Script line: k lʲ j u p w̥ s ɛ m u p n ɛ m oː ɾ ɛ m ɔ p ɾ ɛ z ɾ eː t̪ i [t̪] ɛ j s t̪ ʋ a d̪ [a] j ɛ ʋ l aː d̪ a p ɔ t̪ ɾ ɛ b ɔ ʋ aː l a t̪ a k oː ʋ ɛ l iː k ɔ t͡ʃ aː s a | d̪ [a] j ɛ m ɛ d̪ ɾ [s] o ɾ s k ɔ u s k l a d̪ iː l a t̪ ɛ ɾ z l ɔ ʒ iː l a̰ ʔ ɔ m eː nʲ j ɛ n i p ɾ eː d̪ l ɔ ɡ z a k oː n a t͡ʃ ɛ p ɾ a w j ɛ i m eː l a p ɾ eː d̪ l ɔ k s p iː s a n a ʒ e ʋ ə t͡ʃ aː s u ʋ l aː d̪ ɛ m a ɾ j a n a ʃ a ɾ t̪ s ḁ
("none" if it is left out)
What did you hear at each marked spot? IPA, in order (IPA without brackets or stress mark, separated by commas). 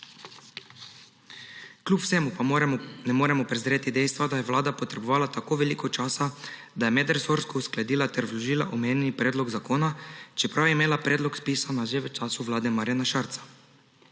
d̪, a, a, s